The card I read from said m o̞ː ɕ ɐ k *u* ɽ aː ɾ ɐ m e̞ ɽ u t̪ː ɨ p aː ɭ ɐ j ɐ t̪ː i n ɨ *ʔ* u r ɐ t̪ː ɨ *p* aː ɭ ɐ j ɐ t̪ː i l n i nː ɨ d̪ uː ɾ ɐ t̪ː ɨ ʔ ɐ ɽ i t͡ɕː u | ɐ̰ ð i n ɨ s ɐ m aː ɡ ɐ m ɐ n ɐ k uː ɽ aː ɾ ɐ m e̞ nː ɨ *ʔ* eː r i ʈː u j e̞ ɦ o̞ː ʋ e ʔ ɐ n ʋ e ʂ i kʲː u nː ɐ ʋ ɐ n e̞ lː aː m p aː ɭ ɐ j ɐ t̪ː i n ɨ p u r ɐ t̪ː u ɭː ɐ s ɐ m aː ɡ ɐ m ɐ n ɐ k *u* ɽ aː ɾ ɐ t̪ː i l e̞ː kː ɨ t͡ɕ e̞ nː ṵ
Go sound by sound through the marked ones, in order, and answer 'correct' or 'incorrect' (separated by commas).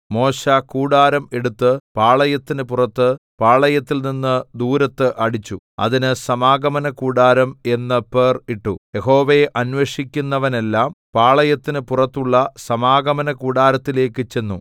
incorrect, incorrect, correct, incorrect, incorrect